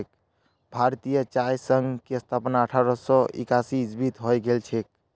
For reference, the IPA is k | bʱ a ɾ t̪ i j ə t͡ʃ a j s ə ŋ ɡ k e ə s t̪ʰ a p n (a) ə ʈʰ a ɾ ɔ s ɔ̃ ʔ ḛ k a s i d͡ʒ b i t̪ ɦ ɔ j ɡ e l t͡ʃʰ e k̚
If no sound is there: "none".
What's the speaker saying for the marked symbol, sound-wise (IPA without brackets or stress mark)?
a